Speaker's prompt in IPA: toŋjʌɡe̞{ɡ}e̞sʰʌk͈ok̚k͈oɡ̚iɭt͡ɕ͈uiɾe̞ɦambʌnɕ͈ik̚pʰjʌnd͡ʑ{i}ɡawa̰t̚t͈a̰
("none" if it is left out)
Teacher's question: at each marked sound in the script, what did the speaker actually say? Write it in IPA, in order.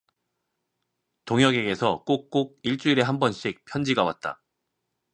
ɡ, i

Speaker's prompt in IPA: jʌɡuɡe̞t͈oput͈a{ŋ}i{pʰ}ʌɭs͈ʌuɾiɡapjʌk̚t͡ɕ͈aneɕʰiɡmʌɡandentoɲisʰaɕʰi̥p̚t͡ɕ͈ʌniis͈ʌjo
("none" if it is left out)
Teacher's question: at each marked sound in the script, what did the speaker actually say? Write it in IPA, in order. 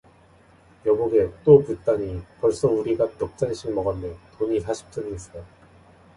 ɲ, p

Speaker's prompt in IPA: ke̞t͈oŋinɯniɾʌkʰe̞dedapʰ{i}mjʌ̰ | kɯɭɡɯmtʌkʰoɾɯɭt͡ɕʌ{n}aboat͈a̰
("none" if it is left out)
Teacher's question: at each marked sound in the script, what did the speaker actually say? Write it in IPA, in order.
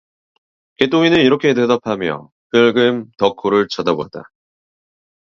a, d

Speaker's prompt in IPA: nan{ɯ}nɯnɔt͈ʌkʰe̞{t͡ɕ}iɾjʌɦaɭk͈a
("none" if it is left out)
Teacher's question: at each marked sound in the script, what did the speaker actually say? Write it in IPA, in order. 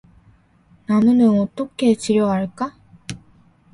ɯ, t͡ɕ

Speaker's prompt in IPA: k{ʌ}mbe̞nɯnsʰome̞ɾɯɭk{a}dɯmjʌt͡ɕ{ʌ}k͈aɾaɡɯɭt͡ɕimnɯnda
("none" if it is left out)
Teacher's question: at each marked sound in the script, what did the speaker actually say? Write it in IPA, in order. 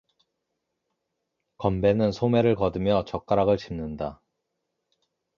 ʌ, ʌ, ʌ

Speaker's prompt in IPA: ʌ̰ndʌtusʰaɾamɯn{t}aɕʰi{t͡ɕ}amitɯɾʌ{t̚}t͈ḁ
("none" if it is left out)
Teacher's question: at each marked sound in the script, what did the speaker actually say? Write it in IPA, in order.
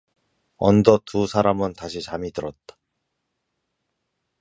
t, t͡ɕ, t̚

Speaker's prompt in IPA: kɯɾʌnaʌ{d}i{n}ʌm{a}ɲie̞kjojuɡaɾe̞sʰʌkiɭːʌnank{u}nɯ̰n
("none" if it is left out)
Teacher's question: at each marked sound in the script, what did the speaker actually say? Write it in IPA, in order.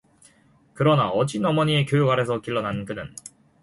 d͡ʑ, n, ʌ, ɯ

